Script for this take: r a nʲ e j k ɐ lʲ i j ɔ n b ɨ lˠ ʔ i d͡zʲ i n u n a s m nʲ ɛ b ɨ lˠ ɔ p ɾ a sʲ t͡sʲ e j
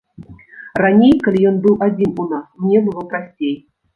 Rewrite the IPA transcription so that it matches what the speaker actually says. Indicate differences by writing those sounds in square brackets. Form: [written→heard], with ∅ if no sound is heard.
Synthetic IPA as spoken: r a nʲ e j k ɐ lʲ i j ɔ n b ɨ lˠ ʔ [i→a] d͡zʲ i n u n a s m nʲ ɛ b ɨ lˠ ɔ p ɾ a sʲ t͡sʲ e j